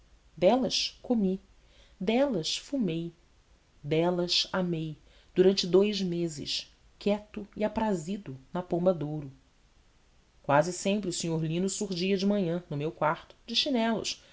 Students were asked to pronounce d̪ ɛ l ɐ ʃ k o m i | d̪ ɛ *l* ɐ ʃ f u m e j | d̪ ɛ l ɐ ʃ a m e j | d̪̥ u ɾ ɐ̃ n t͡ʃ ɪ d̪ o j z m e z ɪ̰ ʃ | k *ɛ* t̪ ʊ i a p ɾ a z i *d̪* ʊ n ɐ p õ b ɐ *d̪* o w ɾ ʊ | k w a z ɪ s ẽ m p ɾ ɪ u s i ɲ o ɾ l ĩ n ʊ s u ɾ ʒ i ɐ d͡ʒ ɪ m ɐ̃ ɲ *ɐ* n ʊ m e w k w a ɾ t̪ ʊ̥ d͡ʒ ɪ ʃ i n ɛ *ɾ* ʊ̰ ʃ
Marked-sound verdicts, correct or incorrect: correct, correct, correct, correct, incorrect: ɐ̃, incorrect: l

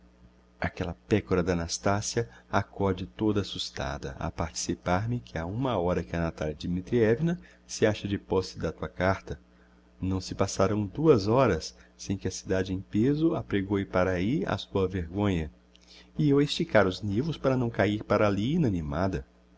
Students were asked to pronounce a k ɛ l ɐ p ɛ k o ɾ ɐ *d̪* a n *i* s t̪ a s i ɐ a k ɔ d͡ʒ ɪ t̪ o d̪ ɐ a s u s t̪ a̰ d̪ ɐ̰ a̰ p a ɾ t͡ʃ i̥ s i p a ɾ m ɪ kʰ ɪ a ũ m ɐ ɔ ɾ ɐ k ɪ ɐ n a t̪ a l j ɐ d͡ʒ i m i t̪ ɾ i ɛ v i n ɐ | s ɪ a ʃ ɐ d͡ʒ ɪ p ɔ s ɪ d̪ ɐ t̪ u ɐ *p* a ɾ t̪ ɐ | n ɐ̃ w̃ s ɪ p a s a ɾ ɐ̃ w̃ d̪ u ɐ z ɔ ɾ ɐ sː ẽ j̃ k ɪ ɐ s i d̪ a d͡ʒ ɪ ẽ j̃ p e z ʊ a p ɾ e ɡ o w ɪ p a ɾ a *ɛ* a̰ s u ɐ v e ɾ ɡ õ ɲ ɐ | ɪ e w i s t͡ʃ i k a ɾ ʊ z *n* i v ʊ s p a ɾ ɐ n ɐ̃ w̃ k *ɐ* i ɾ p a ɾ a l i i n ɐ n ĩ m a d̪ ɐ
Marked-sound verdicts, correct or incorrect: correct, incorrect: a, incorrect: k, incorrect: i, correct, incorrect: a

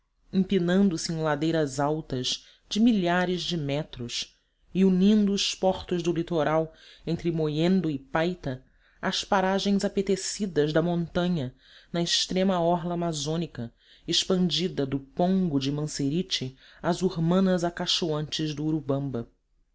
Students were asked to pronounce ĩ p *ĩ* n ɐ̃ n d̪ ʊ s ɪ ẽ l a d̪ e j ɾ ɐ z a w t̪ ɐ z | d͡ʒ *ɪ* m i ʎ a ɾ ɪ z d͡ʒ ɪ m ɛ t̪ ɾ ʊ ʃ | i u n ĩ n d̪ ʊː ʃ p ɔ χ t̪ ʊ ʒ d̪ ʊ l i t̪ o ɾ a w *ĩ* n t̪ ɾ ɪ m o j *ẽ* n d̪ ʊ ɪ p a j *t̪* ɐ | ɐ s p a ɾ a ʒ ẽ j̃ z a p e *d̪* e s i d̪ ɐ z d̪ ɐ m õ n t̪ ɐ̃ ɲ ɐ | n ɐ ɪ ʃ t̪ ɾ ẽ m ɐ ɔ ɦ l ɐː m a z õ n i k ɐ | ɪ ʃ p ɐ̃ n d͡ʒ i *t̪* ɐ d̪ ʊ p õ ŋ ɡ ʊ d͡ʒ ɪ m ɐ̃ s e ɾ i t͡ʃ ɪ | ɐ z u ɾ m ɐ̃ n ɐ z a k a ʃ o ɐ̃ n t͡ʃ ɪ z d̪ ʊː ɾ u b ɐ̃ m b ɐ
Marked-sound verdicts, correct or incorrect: incorrect: i, correct, incorrect: ẽ, correct, correct, incorrect: t̪, incorrect: d̪

